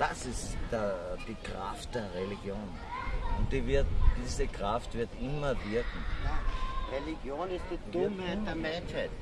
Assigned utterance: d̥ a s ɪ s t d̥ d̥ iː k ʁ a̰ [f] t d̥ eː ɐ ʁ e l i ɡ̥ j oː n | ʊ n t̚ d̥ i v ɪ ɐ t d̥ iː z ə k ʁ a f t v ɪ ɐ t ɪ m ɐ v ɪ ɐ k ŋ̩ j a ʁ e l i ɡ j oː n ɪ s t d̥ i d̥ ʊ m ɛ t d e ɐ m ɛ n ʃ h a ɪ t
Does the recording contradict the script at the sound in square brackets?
no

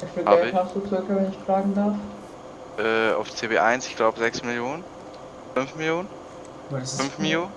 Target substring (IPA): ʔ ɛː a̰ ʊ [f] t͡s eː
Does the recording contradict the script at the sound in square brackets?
no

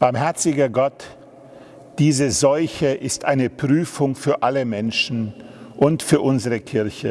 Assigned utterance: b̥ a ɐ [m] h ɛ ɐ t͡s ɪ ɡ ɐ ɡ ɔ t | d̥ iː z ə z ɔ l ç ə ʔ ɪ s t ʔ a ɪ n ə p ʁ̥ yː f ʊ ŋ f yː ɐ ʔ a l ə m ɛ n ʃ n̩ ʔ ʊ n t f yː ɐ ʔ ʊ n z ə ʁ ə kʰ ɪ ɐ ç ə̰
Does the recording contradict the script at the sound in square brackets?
no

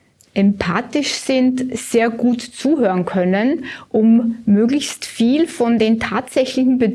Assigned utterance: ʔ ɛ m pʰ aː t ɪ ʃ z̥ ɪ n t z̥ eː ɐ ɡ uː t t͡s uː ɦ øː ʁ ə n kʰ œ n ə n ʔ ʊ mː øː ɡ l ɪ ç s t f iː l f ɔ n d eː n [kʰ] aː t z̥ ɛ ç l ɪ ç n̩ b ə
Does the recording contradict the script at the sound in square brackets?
yes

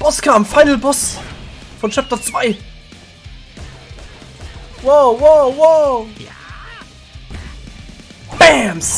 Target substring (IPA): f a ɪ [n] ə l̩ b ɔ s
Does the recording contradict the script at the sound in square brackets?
no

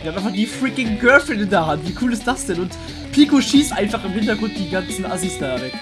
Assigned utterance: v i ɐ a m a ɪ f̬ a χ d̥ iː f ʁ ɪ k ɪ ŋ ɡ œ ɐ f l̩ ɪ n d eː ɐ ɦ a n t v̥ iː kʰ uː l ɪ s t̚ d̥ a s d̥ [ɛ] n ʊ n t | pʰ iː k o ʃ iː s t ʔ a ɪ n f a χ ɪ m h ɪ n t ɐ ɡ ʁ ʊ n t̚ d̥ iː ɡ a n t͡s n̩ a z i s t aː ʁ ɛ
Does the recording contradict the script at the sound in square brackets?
no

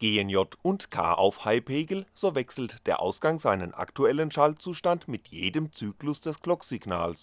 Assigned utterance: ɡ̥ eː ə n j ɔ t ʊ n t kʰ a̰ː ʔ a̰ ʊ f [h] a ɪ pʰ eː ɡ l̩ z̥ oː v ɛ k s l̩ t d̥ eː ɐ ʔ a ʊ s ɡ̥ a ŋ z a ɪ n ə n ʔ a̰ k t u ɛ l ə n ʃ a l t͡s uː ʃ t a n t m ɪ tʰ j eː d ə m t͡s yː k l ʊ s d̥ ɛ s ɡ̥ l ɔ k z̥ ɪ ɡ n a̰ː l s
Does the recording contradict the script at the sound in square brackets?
no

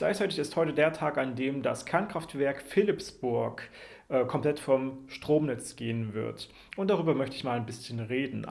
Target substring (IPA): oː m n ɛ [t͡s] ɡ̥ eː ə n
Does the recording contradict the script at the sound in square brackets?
no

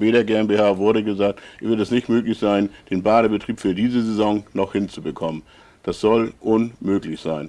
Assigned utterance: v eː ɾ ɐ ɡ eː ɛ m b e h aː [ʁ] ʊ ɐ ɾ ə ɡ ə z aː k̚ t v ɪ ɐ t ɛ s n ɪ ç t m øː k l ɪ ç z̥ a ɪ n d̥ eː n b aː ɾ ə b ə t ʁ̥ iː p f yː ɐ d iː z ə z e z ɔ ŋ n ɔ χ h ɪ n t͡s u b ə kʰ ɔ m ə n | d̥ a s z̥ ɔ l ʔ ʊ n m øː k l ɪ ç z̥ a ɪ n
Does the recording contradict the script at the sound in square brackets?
yes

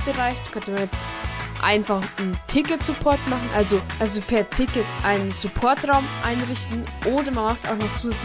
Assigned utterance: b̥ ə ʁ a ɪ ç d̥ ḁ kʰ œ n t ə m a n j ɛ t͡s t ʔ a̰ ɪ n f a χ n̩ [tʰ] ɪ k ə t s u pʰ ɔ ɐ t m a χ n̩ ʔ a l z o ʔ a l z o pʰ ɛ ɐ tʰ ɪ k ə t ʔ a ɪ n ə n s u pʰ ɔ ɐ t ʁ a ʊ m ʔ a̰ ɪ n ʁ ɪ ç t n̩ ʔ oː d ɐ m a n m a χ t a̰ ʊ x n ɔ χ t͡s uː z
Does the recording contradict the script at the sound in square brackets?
no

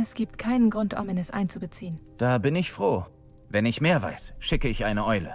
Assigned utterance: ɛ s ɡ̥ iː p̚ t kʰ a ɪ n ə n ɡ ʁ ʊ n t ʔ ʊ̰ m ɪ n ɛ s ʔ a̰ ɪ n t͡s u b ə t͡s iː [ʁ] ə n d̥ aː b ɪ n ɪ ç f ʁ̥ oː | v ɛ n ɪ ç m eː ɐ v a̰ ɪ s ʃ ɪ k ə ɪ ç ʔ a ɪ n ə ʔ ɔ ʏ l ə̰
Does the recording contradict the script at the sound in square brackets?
yes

